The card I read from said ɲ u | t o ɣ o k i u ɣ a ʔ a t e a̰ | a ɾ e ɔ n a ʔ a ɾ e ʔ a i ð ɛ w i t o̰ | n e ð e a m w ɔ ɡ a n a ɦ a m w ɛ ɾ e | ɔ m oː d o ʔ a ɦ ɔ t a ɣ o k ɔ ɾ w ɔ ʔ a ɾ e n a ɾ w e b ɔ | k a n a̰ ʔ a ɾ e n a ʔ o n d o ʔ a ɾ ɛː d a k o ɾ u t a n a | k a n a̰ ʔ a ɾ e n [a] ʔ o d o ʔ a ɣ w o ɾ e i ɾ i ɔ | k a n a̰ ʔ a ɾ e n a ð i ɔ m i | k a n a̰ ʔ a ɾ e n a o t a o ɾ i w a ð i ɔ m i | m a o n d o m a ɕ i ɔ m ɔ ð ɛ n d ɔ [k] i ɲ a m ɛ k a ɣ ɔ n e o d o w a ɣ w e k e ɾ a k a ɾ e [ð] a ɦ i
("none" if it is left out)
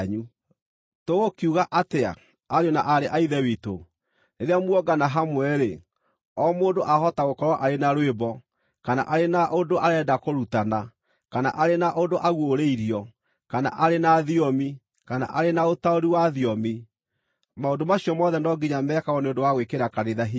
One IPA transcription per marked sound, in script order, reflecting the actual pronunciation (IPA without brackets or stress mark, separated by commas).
a, ɡ, ð